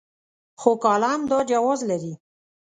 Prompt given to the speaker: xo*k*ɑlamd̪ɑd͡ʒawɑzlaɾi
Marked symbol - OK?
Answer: yes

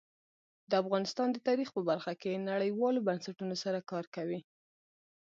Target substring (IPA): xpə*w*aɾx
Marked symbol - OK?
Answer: no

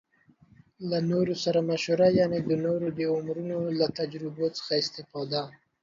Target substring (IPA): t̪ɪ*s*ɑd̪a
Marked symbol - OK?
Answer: no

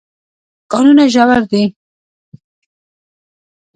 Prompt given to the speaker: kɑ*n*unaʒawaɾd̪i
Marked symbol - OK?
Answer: yes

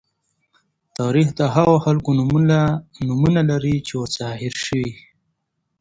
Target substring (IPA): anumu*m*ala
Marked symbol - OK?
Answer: no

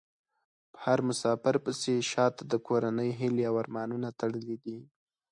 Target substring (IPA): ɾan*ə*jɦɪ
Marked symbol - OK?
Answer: yes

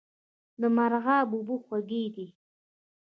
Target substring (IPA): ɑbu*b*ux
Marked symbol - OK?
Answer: yes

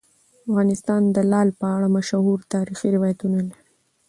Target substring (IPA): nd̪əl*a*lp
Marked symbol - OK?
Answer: no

